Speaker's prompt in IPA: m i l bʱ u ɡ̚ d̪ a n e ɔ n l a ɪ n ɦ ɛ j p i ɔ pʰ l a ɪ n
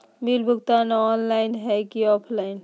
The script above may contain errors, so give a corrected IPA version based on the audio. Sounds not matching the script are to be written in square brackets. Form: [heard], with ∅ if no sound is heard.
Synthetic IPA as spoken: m i l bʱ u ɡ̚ [t̪] a n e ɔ n l a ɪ n ɦ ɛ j [k] i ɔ pʰ l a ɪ n